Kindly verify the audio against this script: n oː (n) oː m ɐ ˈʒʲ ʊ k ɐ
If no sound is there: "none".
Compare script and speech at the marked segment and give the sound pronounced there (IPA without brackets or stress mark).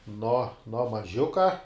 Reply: n